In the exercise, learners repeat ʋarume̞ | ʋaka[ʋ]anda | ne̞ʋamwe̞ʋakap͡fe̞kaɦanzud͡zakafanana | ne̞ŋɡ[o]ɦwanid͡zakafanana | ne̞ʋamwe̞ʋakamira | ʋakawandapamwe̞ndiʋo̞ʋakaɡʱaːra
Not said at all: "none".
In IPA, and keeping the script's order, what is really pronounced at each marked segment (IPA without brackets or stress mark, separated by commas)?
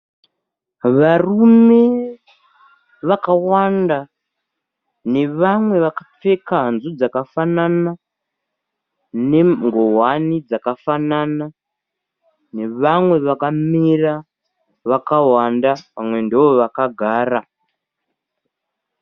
w, o